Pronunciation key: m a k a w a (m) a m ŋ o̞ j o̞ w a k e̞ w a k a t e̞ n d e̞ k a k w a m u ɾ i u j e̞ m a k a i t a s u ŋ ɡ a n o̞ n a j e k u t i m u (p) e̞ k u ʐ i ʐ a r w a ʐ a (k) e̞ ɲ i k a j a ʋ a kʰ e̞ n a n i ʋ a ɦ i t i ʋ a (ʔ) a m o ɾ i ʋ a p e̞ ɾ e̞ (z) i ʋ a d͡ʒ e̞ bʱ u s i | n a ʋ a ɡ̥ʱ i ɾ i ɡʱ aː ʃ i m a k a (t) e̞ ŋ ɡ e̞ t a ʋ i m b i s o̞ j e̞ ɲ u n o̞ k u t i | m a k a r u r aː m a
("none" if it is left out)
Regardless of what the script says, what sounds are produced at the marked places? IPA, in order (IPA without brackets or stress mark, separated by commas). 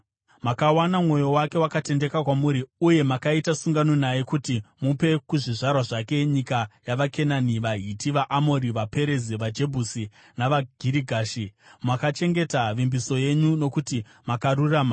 n, p, k, ʔ, z, t͡ʃ